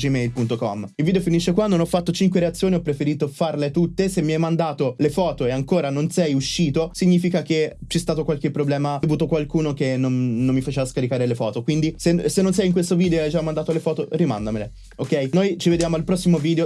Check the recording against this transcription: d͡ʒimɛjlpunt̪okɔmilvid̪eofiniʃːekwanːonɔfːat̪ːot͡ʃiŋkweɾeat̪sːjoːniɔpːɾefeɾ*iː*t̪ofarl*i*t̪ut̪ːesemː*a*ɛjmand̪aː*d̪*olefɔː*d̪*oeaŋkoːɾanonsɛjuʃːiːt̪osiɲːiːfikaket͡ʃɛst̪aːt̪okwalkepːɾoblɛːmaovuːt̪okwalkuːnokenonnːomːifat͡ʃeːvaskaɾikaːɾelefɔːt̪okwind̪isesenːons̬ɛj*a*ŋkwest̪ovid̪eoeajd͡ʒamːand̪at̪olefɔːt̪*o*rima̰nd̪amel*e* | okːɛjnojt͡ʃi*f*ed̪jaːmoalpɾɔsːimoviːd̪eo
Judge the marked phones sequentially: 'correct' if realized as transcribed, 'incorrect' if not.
correct, incorrect, incorrect, incorrect, incorrect, incorrect, correct, correct, incorrect

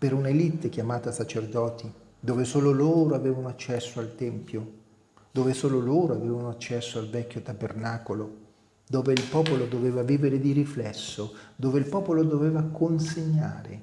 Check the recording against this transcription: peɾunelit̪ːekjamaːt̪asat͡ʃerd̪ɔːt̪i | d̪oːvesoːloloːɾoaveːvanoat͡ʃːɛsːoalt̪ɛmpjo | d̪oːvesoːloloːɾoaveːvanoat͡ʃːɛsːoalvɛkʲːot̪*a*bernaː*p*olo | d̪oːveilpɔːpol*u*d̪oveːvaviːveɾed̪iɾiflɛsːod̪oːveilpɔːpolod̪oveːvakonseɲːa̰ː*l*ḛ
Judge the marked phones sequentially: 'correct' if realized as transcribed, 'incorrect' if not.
correct, incorrect, incorrect, incorrect

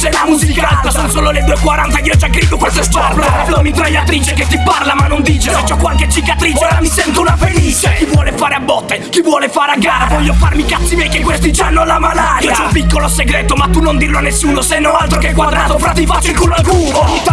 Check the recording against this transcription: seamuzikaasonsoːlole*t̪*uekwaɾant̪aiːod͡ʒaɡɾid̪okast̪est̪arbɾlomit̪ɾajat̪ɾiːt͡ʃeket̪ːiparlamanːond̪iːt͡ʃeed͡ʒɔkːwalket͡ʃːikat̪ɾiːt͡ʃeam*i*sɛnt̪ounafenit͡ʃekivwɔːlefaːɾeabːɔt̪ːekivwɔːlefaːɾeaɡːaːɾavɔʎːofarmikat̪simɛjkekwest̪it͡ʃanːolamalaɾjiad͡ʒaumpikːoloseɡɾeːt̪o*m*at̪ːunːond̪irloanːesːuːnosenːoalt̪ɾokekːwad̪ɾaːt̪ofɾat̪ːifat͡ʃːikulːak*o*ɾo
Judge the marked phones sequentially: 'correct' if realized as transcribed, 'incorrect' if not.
incorrect, correct, correct, incorrect

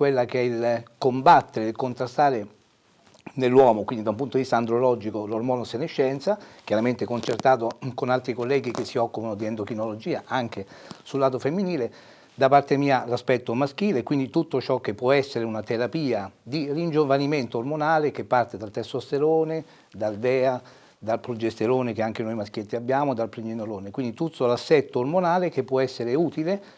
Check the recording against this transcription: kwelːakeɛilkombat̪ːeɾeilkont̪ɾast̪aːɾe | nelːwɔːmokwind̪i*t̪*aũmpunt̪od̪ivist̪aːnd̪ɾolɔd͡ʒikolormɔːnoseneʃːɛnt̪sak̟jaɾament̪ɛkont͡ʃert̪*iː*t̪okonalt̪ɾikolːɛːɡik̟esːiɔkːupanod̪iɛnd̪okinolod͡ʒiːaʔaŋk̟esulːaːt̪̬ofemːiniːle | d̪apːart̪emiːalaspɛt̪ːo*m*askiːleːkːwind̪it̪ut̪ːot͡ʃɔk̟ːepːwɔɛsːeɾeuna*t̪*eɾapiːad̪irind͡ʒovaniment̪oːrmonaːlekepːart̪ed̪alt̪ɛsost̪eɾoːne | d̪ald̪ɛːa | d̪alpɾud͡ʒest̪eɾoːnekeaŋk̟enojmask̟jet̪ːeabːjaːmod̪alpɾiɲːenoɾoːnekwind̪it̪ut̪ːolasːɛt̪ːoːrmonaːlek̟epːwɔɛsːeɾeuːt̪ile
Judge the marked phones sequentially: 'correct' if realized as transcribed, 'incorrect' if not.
incorrect, incorrect, correct, correct

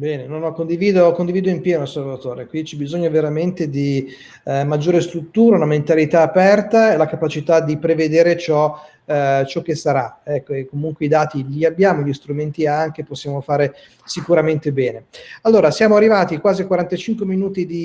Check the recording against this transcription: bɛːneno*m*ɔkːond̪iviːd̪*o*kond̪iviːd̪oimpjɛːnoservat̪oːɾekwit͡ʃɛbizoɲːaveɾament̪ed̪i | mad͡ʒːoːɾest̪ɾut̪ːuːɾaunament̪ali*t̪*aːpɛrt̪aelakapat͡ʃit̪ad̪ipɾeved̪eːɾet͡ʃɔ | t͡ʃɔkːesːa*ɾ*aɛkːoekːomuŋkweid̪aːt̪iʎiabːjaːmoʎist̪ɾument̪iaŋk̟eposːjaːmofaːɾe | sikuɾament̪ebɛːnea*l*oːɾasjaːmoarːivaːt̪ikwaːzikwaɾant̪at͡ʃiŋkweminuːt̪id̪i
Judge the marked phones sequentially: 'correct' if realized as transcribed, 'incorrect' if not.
incorrect, correct, correct, correct, incorrect

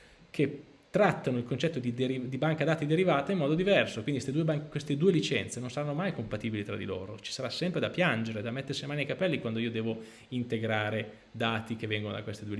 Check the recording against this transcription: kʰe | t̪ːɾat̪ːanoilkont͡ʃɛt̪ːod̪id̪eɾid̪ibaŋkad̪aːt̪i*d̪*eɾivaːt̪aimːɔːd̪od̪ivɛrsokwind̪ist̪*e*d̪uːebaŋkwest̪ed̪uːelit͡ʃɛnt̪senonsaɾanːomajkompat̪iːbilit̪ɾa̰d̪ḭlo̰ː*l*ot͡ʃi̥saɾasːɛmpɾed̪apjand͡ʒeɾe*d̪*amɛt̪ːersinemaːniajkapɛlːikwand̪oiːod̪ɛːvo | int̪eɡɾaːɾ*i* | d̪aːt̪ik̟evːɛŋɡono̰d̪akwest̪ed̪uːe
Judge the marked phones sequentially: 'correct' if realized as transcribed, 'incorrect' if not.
correct, correct, incorrect, correct, incorrect

